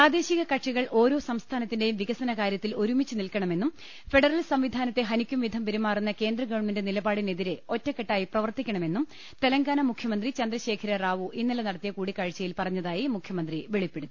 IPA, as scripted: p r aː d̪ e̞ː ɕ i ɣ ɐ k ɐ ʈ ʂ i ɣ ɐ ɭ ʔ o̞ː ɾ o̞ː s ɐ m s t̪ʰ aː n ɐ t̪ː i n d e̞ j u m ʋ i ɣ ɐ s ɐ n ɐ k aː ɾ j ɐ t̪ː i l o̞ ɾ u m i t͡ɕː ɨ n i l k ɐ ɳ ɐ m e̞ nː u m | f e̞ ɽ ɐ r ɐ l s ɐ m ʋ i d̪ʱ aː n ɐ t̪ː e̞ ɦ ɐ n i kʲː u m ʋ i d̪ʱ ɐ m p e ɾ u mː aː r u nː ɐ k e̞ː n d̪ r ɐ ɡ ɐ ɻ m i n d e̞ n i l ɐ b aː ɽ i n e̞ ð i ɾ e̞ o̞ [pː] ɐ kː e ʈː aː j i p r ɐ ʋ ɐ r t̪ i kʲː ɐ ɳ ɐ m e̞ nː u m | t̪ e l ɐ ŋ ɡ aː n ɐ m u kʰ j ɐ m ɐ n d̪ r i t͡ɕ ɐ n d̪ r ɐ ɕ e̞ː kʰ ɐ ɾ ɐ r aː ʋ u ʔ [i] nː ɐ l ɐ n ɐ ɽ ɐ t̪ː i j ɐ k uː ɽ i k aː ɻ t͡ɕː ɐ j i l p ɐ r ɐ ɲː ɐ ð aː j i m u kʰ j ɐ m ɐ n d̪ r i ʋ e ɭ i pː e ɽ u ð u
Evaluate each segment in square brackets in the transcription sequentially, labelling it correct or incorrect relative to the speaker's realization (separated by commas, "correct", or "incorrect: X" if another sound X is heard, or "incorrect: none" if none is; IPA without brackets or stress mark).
incorrect: tː, correct